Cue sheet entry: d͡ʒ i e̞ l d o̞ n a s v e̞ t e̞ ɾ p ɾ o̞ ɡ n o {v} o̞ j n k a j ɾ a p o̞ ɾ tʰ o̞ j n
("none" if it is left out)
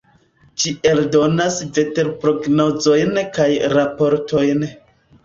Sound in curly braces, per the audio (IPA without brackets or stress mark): z